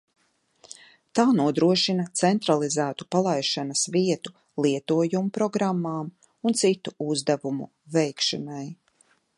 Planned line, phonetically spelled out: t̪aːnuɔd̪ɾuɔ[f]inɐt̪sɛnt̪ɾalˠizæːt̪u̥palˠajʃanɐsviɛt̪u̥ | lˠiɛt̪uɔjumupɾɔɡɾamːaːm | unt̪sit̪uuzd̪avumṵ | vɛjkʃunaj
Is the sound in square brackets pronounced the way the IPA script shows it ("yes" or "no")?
no